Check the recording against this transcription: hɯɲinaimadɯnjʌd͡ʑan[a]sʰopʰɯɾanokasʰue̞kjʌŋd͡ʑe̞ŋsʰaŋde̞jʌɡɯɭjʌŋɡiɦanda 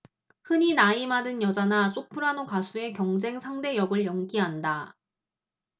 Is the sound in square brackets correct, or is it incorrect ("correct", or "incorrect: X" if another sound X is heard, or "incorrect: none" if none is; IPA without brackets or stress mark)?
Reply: correct